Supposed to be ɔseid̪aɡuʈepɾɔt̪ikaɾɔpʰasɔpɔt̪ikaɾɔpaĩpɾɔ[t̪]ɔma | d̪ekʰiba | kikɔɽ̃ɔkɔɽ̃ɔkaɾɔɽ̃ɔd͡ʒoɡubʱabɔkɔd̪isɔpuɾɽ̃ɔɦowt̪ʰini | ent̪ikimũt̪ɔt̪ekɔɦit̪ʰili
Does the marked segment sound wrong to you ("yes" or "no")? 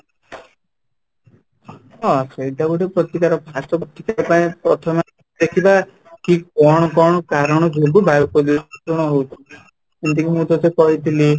yes